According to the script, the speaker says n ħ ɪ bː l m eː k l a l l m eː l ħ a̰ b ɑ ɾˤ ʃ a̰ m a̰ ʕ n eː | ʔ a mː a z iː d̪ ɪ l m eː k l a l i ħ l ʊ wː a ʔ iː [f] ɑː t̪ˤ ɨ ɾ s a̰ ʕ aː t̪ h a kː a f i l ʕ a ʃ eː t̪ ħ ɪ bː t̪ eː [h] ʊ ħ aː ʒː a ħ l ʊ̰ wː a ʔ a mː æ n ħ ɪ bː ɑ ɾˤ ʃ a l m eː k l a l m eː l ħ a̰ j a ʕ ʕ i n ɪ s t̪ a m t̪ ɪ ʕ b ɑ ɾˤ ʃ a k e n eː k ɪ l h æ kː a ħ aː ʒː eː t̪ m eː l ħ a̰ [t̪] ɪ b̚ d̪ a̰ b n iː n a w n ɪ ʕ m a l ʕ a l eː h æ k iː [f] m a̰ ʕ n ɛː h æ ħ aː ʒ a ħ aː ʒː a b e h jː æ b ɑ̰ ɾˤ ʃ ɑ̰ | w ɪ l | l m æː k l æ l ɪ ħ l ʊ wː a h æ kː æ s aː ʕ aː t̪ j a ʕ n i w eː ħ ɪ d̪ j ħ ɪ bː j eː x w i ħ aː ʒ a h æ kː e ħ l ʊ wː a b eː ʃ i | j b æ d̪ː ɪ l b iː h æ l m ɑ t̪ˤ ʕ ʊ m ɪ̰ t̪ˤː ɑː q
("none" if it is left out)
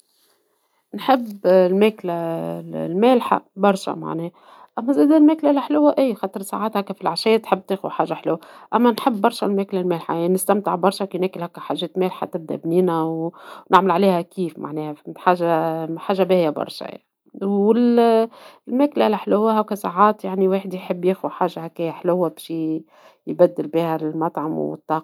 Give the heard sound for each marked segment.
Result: x, x, t̪, f

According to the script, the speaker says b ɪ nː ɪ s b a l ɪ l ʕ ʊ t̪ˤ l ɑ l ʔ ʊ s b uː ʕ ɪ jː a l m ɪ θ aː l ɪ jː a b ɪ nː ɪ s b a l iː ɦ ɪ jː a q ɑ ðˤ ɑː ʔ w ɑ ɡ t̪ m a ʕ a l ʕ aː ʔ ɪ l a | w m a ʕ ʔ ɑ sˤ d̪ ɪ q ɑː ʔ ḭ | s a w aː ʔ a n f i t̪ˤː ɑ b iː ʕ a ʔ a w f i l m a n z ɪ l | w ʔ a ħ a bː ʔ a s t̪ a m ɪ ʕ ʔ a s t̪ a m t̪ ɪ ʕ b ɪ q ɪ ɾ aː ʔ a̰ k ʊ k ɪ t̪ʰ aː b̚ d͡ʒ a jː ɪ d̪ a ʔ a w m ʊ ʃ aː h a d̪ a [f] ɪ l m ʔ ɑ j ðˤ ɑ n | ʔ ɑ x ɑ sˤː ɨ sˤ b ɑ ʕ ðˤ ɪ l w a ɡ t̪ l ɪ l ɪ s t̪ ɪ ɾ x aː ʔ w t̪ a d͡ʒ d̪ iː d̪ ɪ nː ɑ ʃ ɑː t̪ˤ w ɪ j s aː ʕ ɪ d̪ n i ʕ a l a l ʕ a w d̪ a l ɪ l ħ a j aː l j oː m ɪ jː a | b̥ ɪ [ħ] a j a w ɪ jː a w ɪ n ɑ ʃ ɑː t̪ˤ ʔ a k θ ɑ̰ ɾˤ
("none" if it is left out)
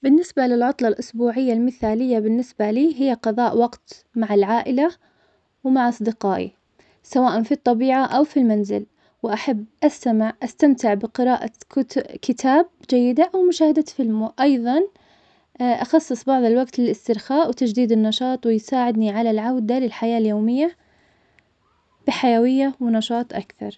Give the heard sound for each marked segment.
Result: f, ħ

